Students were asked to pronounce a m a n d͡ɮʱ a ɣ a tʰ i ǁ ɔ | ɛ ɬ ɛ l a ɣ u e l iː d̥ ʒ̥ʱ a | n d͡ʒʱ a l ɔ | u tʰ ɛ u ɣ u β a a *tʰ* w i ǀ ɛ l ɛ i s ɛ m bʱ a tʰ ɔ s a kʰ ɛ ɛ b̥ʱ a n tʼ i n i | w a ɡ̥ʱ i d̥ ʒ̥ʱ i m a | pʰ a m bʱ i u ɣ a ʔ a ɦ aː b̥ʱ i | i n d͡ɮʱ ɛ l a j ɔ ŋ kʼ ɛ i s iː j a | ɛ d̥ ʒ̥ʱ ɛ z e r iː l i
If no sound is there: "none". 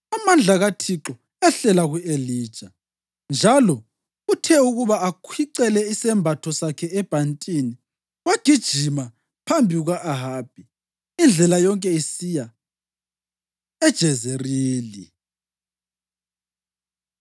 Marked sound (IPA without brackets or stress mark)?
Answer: kʰ